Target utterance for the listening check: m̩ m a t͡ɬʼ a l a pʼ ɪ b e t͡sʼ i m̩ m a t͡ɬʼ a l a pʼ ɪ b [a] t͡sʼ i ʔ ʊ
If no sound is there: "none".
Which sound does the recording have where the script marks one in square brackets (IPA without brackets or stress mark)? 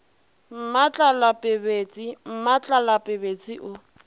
e